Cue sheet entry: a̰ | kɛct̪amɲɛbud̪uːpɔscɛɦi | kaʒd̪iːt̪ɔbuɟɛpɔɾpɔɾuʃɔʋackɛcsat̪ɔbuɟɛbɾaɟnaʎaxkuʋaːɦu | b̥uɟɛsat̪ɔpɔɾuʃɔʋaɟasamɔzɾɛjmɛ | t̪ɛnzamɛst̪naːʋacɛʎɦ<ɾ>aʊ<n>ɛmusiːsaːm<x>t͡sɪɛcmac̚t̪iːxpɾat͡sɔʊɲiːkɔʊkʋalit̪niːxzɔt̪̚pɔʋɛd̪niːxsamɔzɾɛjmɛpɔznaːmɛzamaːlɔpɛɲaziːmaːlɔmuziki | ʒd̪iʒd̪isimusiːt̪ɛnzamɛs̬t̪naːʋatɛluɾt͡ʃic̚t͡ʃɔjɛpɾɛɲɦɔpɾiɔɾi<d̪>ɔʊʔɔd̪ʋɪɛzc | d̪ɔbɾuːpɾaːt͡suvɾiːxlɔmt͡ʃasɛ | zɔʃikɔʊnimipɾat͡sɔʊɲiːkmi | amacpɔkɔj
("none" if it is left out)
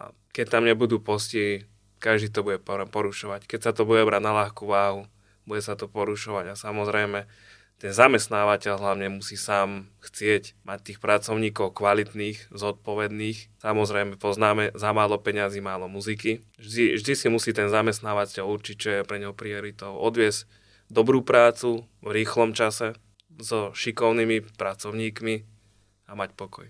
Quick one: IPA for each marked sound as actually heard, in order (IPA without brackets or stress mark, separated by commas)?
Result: l, ɲ, x, t̪